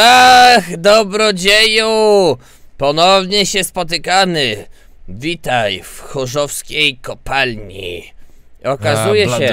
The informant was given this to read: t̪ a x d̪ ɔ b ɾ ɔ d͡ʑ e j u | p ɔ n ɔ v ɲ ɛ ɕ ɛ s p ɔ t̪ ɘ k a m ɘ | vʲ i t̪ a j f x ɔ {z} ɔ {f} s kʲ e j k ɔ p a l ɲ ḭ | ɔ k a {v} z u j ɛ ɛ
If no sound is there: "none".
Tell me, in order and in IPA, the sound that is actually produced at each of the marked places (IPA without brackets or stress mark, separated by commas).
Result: ʐ, f, none